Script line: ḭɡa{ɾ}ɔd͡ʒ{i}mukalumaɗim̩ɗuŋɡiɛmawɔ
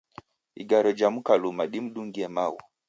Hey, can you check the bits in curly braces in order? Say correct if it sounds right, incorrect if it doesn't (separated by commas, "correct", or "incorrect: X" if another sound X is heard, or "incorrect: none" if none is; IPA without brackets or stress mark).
correct, incorrect: a